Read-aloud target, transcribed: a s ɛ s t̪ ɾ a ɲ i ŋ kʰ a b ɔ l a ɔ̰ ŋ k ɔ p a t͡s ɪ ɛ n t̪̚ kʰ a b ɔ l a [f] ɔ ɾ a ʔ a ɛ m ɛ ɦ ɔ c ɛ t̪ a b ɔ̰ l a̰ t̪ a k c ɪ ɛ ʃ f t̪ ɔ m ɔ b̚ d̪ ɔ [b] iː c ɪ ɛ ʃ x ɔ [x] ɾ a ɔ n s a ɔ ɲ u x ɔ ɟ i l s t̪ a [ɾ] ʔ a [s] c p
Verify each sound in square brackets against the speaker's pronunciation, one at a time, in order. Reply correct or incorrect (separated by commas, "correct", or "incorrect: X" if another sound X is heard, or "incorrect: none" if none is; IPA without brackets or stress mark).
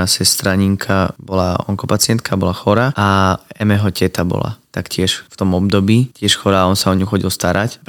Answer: incorrect: x, correct, incorrect: none, correct, incorrect: none